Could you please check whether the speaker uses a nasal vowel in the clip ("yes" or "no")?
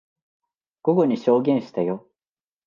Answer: yes